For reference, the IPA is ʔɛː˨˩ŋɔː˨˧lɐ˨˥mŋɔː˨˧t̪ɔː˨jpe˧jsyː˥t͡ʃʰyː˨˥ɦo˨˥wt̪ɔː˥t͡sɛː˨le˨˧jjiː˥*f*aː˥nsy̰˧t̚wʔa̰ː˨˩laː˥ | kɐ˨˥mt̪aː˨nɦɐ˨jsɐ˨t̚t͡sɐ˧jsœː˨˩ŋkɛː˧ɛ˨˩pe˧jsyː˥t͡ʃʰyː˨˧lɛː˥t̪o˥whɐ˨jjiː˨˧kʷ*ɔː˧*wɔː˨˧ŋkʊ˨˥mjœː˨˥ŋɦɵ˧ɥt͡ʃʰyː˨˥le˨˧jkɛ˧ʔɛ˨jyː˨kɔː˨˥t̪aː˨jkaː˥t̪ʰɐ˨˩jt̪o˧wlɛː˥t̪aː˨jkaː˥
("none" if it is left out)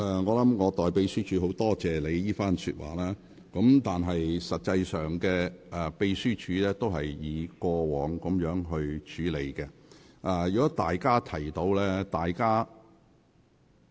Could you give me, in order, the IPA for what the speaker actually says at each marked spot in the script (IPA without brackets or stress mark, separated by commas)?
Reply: f, ɔː˧